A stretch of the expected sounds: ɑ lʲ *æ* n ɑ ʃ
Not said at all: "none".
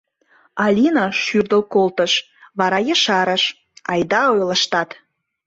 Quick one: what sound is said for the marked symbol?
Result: i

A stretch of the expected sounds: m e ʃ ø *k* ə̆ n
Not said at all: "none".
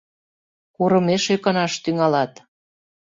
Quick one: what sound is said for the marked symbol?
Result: k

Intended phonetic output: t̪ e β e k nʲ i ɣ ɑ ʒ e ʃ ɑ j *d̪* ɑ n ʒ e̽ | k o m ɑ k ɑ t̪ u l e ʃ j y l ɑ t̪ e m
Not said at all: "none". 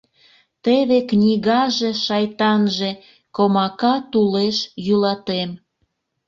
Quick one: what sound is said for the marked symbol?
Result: t̪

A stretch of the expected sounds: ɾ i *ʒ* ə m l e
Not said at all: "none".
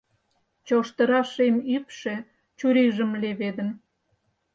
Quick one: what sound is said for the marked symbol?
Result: ʒ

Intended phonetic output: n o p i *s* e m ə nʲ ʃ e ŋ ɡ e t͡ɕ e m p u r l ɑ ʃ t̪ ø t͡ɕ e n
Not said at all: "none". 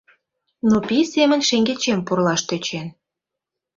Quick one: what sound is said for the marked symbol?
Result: s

